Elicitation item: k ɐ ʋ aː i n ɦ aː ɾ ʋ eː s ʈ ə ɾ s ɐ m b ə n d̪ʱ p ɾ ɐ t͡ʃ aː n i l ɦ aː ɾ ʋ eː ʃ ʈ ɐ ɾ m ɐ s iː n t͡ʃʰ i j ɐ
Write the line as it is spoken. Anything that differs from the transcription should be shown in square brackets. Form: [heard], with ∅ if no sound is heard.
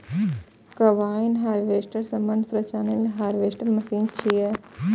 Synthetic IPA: k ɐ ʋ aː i n ɦ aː ɾ ʋ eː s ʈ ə ɾ s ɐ m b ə n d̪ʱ p ɾ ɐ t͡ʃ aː n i l ɦ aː ɾ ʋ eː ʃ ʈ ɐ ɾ m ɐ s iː n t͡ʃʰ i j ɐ